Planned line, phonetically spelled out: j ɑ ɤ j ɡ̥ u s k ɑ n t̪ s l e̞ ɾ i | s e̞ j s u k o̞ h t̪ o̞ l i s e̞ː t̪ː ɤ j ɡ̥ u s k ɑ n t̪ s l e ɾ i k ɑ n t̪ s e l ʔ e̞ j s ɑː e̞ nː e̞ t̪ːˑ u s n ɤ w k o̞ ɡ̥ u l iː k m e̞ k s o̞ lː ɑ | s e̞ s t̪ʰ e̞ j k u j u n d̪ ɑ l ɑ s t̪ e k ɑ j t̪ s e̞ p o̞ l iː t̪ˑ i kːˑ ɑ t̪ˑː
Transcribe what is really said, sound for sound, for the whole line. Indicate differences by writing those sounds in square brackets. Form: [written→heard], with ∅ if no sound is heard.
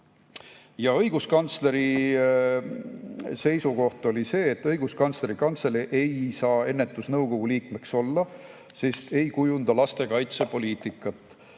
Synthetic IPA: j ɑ ɤ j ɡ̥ u s k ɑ n t̪ s l e̞ ɾ i | s e̞ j s u k o̞ h t̪ o̞ l i s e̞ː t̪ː ɤ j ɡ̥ u s k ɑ n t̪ s l e ɾ i k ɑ n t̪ s e l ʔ e̞ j s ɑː e̞ nː e̞ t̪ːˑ u s n ɤ w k o̞ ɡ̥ u l iː k m e̞ k s o̞ lː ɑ | s e̞ s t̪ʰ e̞ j k u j u n d̪ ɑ l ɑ s t̪ e k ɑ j t̪ s e̞ p o̞ l iː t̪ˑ i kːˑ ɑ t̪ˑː